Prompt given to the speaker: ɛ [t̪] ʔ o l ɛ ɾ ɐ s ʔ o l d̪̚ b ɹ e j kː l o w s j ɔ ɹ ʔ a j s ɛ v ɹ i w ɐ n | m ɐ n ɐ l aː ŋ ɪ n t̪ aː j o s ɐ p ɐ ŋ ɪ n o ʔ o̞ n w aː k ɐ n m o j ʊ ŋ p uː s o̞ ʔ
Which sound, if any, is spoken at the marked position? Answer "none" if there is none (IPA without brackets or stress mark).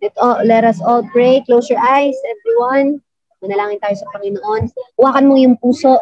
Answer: t̪